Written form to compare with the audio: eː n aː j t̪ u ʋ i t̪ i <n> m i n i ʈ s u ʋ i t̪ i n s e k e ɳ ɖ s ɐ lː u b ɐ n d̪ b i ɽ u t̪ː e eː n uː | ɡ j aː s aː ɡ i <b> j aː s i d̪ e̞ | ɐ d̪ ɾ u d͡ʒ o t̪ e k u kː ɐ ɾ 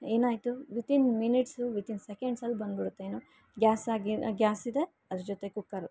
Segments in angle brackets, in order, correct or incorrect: correct, incorrect

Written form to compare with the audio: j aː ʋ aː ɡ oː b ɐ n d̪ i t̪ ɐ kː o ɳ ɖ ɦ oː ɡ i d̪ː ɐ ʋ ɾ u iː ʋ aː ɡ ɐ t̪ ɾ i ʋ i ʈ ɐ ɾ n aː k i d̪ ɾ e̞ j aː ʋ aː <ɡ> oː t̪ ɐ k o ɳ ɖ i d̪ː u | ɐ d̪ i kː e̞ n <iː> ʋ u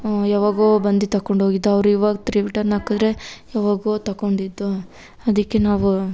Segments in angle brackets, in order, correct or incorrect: correct, incorrect

